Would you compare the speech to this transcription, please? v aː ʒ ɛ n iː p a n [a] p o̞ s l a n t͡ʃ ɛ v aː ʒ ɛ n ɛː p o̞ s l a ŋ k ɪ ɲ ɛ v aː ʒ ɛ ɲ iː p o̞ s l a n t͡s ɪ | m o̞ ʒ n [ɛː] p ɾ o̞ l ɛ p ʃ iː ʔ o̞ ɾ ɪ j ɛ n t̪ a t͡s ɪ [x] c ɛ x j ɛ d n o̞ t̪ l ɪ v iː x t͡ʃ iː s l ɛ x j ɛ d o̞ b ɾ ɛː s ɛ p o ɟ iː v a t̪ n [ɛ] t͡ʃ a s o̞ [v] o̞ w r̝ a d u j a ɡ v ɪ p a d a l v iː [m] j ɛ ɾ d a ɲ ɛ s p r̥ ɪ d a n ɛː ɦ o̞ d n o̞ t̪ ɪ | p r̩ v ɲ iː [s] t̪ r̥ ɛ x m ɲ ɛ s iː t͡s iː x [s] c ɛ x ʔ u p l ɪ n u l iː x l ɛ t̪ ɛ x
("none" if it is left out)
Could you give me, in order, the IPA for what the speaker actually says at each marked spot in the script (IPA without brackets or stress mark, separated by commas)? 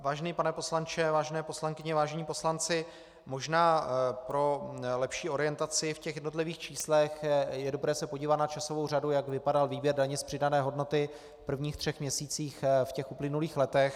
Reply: ɛ, aː, f, a, v, b, x, f